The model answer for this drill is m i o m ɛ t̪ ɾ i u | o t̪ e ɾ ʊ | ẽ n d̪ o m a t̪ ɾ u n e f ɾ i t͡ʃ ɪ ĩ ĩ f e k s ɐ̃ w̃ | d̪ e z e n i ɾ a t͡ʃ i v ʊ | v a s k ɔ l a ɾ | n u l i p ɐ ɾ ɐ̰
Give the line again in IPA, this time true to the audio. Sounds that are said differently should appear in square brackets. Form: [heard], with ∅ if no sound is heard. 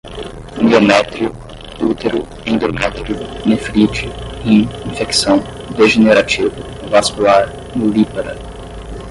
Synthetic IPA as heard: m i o m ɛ t̪ ɾ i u | [u] t̪ e ɾ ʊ | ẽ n d̪ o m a t̪ ɾ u n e f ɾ i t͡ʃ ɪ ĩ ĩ f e k s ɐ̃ w̃ | d̪ e [ʒ] e n [e] ɾ a t͡ʃ i v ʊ | v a s k [u] l a ɾ | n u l i p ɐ ɾ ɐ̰